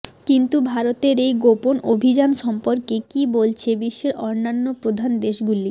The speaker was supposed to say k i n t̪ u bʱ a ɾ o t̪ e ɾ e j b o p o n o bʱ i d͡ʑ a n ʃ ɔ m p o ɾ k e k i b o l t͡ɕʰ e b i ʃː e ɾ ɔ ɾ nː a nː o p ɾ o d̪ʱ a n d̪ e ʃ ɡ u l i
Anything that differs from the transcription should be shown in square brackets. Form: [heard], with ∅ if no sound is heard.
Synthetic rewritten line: k i n t̪ u bʱ a ɾ o t̪ e ɾ e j [ɡ] o p o n o bʱ i d͡ʑ a n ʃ ɔ m p o ɾ k e k i b o l t͡ɕʰ e b i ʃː e ɾ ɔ ɾ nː a nː o p ɾ o d̪ʱ a n d̪ e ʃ ɡ u l i